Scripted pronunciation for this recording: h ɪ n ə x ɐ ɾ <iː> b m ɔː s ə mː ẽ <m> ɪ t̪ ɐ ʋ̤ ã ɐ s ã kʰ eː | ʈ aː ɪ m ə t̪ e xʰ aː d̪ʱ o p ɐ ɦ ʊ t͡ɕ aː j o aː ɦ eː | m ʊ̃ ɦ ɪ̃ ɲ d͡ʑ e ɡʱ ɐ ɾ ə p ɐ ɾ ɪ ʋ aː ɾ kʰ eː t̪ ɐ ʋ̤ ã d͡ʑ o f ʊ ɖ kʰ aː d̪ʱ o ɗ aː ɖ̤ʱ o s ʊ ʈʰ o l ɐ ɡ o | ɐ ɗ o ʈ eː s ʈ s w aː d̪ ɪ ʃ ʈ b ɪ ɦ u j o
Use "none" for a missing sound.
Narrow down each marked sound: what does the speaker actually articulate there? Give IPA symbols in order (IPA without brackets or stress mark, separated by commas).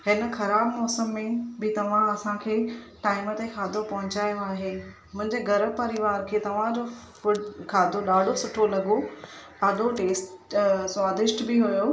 aː, b